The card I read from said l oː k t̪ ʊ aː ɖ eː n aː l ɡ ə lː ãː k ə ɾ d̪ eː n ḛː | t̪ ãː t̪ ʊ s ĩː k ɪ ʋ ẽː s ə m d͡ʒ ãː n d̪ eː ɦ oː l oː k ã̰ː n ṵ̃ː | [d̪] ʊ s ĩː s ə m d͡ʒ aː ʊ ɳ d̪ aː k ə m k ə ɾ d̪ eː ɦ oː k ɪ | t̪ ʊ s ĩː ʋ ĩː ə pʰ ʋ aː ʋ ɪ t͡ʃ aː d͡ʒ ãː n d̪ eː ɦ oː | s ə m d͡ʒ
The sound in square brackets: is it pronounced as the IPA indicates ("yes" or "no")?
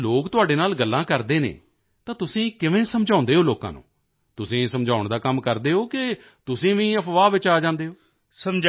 no